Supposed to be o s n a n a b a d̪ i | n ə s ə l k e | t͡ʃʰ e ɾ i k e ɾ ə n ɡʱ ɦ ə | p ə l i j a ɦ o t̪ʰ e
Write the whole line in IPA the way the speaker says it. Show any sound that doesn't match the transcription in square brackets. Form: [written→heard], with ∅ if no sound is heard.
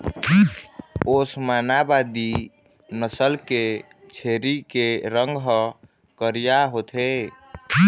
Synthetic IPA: o s [n→m] a n a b a d̪ i | n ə s ə l k e | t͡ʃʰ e ɾ i k e ɾ ə [n→ŋ] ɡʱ ɦ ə | [p→k] ə [l→ɾ] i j a ɦ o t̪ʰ e